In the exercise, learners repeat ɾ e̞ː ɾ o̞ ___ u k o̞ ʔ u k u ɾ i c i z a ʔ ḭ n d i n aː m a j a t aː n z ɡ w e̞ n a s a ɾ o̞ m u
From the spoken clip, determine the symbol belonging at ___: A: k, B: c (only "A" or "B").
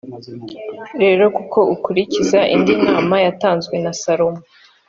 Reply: A